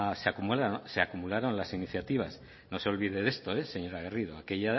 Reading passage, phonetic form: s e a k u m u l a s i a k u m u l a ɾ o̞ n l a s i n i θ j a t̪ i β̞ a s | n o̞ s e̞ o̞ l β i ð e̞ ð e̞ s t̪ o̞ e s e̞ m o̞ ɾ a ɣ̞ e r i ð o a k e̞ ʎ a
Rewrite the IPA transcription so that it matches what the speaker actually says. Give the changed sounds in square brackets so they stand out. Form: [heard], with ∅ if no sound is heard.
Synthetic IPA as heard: s e a k u m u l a s [e] a k u m u l a ɾ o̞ n l a s i n i θ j a t̪ i β̞ a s | n o̞ s e̞ o̞ l β i ð e̞ ð e̞ s t̪ o̞ e s e̞ [ɲ] o̞ ɾ a ɣ̞ e r i ð o a k e̞ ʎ a